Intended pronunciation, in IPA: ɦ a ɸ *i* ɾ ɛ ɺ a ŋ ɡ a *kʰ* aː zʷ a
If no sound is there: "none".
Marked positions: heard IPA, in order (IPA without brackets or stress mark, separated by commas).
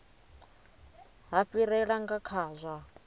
i, kʰ